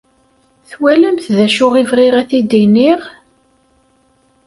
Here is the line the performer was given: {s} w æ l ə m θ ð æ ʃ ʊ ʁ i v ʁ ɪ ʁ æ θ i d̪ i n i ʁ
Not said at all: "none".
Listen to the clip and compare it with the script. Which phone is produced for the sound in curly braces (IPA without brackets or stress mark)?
θ